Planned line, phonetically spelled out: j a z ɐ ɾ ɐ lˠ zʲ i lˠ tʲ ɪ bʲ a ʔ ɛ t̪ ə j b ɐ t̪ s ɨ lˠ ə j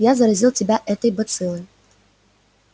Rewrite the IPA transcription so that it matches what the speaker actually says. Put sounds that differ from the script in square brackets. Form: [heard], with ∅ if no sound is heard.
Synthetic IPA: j a z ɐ ɾ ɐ [∅] zʲ i lˠ tʲ ɪ bʲ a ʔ ɛ t̪ ə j b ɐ t̪ s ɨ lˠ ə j